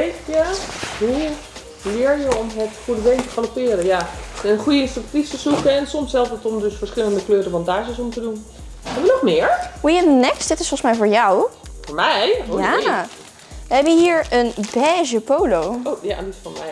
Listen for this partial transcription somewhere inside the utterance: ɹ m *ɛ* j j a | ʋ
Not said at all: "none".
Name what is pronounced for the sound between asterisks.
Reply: ɛ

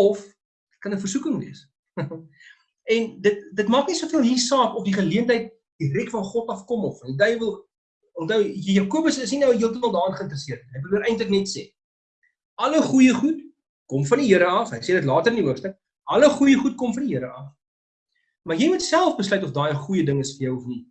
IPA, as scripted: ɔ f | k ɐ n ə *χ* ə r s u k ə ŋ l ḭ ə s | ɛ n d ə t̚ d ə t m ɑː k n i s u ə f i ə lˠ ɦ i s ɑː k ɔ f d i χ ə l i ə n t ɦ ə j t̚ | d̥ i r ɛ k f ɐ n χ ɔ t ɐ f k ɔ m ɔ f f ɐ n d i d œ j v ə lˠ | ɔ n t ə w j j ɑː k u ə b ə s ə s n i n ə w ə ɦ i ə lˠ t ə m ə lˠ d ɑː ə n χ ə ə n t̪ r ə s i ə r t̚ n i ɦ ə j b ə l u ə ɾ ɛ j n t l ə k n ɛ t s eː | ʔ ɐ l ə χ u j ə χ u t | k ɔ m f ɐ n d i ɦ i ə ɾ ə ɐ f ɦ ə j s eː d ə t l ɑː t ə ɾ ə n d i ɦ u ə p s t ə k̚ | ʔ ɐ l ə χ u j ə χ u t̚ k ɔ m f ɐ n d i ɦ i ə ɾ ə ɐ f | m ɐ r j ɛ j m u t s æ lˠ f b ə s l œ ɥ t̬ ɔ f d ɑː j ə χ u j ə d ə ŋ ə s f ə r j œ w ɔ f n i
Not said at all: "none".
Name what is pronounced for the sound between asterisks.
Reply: f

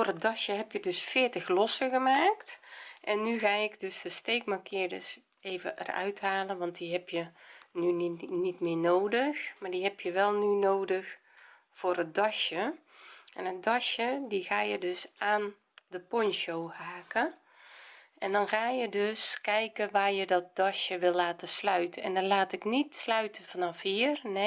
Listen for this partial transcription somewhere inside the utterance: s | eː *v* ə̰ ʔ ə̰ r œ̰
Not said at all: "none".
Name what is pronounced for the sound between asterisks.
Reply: v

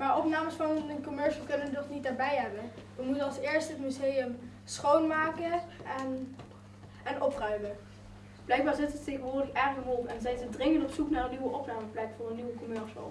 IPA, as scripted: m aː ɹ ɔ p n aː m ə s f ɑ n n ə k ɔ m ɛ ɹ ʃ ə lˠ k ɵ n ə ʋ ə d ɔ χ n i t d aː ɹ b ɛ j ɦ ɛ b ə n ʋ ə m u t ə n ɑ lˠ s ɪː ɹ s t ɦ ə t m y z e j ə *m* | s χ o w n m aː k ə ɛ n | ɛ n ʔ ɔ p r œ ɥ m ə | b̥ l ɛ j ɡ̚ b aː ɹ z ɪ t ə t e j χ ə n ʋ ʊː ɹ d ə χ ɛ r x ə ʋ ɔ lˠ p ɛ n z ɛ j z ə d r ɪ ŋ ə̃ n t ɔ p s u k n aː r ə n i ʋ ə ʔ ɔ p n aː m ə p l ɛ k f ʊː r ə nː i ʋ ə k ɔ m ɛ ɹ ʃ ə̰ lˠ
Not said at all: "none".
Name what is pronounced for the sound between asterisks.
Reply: m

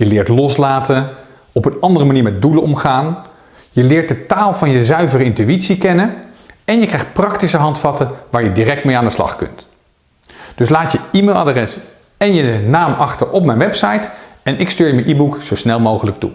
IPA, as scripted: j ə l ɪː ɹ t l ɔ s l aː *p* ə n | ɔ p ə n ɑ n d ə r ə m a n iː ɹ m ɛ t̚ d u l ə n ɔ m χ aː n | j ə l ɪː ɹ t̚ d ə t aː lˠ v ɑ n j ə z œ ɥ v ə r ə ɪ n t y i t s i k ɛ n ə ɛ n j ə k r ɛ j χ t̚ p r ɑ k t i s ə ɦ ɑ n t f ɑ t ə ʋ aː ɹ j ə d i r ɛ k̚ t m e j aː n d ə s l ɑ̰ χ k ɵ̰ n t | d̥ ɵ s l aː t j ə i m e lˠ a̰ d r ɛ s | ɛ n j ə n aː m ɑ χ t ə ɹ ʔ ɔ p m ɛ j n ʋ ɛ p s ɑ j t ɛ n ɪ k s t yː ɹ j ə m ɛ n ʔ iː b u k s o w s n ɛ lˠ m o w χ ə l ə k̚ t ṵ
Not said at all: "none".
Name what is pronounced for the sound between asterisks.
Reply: t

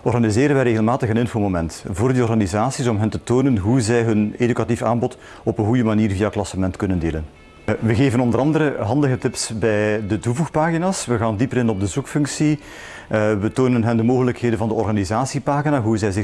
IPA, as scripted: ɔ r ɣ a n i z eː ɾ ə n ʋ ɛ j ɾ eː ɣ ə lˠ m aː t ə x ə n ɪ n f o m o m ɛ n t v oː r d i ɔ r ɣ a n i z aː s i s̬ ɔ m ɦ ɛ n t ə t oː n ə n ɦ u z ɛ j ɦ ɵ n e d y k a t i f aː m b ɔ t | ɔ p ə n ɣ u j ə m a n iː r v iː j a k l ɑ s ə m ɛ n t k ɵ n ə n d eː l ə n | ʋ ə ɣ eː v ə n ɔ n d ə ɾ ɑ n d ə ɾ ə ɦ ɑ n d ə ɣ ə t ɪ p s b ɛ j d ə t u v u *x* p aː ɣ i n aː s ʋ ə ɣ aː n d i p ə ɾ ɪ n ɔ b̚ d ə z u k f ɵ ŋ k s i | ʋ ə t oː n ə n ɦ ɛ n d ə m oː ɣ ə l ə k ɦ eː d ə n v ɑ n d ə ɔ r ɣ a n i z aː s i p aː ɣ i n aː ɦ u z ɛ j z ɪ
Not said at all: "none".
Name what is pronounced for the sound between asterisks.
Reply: x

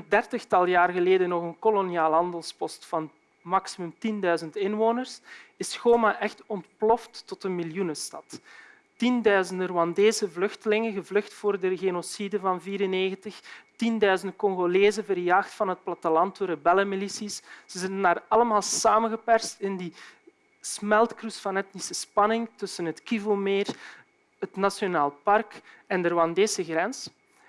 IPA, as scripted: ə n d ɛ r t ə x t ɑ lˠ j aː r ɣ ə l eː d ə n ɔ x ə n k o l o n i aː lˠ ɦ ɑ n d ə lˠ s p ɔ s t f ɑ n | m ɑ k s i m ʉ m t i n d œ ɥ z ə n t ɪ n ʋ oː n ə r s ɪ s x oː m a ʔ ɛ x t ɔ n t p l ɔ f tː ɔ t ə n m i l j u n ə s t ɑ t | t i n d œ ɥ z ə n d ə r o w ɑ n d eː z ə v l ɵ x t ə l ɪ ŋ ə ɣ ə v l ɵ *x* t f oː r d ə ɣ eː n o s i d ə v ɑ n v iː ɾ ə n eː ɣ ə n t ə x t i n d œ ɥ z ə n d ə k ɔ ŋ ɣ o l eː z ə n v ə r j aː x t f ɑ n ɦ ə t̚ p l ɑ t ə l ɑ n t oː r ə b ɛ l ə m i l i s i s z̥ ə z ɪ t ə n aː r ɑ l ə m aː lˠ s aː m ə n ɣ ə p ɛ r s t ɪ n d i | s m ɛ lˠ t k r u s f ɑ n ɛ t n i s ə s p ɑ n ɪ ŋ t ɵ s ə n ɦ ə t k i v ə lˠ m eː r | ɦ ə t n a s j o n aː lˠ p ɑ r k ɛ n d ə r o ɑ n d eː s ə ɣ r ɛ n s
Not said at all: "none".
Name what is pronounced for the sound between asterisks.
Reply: x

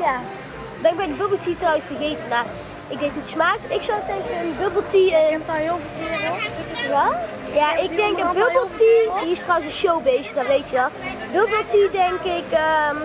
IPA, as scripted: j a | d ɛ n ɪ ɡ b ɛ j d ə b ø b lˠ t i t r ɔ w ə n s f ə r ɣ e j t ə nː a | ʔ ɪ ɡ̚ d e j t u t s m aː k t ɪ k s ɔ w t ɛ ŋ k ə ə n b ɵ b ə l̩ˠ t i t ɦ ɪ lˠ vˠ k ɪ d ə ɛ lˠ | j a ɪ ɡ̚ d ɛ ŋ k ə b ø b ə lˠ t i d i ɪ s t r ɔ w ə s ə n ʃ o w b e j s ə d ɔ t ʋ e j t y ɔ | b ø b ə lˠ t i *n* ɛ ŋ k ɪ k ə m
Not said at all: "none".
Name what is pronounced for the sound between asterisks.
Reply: d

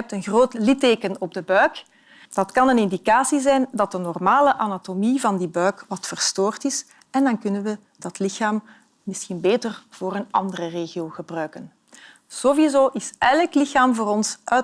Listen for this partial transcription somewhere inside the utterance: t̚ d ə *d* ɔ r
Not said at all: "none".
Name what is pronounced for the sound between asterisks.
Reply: n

